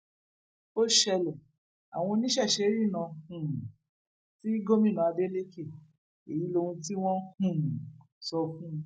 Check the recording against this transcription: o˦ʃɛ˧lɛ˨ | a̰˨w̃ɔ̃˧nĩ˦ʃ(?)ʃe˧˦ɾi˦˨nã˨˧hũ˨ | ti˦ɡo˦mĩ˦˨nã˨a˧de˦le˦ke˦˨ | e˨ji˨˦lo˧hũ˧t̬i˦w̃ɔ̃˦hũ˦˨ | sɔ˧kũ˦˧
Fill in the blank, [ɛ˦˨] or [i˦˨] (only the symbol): ɛ˦˨